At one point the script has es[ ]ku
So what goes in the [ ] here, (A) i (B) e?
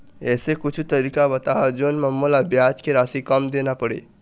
B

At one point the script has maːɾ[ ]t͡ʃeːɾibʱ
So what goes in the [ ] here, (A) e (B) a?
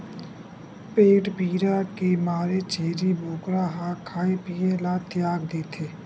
A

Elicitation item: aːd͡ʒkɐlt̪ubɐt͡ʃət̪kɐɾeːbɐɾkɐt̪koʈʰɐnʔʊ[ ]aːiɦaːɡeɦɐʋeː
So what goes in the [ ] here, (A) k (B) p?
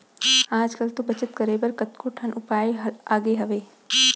B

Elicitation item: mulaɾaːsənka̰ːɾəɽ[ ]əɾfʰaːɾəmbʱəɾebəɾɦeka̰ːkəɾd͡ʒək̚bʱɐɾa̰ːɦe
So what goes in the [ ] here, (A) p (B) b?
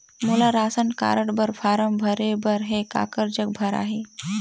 B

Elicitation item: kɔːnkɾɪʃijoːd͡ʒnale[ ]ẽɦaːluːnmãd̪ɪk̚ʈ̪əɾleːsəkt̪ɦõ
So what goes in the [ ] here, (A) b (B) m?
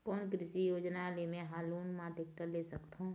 B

